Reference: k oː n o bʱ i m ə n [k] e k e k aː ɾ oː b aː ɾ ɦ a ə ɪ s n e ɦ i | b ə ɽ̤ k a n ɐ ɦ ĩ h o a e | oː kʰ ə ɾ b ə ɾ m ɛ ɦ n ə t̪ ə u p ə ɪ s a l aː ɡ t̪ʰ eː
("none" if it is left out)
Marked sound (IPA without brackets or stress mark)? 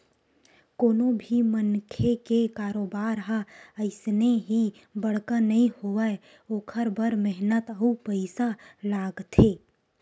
kʰ